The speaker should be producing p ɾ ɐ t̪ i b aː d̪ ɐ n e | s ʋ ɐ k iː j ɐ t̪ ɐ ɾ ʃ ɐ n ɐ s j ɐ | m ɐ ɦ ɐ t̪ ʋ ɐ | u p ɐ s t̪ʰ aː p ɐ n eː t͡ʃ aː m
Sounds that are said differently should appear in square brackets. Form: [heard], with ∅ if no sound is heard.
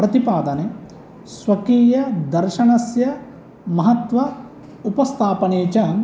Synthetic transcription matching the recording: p ɾ ɐ t̪ i [p] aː d̪ ɐ n e | s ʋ ɐ k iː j ɐ [d̪] ɐ ɾ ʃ ɐ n ɐ s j ɐ | m ɐ ɦ ɐ t̪ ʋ ɐ | u p ɐ s t̪ʰ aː p ɐ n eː t͡ʃ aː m